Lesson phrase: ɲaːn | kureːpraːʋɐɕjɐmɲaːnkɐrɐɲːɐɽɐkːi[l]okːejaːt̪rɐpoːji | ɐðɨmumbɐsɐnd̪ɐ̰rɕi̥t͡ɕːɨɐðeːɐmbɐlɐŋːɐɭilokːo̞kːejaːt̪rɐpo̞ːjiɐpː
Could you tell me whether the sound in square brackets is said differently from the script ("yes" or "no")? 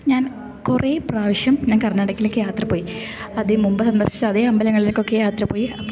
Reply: no